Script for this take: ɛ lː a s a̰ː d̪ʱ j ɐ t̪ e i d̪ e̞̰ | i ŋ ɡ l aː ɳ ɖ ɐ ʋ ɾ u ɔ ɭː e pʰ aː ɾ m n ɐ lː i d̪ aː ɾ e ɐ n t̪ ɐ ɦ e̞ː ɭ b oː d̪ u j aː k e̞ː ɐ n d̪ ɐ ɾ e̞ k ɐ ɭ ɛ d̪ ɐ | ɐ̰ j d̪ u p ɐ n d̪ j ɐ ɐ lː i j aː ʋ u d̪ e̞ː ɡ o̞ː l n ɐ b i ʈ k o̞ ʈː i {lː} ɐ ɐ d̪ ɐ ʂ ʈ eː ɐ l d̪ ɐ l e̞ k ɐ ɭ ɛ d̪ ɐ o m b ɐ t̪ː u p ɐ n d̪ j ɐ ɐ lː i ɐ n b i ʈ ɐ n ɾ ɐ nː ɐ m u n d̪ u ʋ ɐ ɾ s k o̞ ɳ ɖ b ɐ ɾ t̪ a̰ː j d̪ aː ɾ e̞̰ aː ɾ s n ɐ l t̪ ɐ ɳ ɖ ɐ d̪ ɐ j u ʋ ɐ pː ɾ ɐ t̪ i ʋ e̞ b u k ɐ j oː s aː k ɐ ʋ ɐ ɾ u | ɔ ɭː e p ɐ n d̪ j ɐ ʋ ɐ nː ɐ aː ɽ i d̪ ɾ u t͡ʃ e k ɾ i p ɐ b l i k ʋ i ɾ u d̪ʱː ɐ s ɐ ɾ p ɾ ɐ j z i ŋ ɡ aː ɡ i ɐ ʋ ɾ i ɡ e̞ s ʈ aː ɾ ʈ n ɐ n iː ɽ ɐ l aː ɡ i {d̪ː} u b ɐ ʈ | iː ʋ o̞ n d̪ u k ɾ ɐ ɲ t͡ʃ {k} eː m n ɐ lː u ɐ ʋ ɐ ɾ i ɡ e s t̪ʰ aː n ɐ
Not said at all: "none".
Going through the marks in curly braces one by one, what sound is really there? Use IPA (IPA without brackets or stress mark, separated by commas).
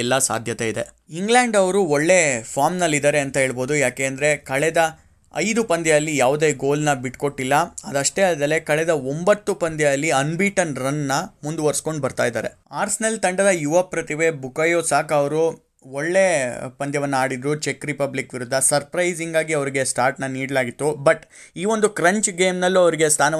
lː, t̪ː, ɡ